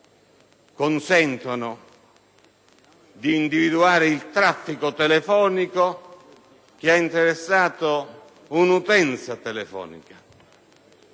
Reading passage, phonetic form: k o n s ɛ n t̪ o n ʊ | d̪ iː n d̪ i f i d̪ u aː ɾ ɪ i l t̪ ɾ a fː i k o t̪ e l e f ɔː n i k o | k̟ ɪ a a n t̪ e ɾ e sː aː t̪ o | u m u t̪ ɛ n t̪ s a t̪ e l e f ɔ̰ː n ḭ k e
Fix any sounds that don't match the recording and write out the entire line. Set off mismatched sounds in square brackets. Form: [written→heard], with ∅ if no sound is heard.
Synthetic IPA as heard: k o n s ɛ n t̪ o n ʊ | d̪ iː n d̪ i [f→v] i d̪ u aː ɾ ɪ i l t̪ ɾ a fː i k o t̪ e l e f ɔː n i k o | k̟ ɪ a [a→i] n t̪ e ɾ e sː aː t̪ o | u [m→n] u t̪ ɛ n t̪ s a t̪ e l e f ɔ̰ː n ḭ k [e→a]